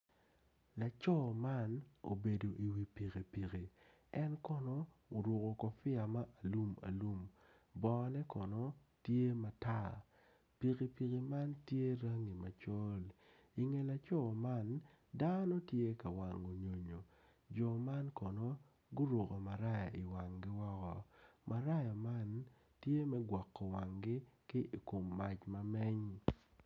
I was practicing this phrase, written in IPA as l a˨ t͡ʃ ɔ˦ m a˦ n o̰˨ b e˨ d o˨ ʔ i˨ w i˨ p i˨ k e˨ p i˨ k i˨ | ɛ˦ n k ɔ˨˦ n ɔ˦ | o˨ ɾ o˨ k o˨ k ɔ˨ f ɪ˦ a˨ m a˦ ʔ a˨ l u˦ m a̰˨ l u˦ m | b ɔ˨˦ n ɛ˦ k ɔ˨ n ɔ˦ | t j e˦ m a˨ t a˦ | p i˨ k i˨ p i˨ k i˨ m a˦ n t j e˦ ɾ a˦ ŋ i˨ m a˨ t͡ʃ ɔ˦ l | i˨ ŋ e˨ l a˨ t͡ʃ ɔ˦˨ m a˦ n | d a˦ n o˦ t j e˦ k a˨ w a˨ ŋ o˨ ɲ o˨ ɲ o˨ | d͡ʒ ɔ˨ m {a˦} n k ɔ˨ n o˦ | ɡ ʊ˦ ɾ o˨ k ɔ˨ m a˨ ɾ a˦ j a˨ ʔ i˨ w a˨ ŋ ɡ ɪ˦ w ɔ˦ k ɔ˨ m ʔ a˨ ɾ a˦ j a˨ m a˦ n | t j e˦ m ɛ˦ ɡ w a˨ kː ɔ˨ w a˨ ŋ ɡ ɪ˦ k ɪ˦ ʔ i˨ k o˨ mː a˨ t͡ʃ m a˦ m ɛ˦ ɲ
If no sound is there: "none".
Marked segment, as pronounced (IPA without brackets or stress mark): a˦